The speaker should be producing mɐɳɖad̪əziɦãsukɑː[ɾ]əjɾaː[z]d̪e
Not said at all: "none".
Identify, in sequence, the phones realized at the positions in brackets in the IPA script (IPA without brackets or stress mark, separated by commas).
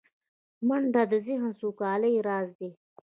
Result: l, z